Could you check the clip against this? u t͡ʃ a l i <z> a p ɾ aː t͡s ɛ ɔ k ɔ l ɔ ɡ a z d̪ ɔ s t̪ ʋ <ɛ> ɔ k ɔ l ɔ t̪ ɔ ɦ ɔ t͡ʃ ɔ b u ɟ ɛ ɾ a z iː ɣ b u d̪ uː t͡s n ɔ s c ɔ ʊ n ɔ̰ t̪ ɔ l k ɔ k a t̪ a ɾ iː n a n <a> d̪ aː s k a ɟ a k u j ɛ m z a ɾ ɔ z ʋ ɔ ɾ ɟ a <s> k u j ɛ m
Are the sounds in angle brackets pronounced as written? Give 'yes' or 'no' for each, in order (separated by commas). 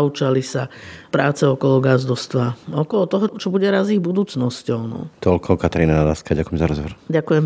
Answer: no, no, yes, no